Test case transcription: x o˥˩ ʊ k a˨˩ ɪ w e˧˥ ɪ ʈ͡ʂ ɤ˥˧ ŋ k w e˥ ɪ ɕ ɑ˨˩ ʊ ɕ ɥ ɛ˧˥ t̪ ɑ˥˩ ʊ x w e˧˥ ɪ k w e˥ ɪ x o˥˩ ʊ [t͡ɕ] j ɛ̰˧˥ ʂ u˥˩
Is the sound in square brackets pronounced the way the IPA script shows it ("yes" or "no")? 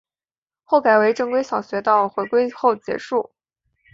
yes